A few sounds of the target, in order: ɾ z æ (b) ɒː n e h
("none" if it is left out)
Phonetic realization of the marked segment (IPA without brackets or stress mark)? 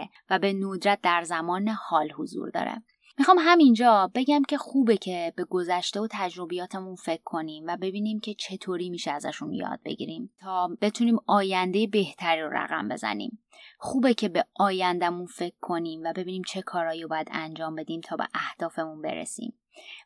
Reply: m